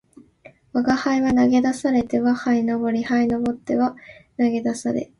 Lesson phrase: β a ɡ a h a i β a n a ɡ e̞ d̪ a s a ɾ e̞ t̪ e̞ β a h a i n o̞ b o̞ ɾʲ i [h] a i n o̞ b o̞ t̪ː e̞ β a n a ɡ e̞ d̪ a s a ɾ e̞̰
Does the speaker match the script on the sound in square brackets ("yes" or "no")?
yes